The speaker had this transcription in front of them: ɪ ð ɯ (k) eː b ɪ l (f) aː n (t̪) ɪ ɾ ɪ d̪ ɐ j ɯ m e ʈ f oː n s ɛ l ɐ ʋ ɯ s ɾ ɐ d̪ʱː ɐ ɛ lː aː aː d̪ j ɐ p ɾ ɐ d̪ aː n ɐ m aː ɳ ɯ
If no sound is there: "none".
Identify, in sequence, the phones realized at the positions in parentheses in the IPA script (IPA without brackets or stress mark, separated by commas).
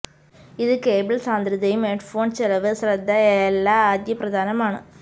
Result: k, s, d̪